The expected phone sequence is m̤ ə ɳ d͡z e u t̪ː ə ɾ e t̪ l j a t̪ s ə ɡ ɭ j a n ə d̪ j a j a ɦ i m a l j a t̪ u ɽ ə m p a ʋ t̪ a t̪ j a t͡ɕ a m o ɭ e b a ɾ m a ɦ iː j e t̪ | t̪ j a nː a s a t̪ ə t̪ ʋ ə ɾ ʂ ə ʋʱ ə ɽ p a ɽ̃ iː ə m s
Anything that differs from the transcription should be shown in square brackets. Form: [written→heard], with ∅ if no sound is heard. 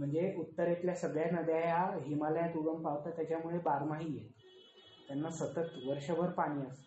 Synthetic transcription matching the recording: m̤ ə ɳ d͡z e u t̪ː ə ɾ e t̪ l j a [t̪→∅] s ə ɡ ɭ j a n ə d̪ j a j a ɦ i m a l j a t̪ u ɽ ə m p a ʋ t̪ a t̪ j a t͡ɕ a m [o→u] ɭ e b a ɾ m a ɦ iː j e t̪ | t̪ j a nː a s [a→ə] t̪ ə t̪ ʋ ə ɾ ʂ ə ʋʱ ə [ɽ→ɾ] p a ɽ̃ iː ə [m→∅] s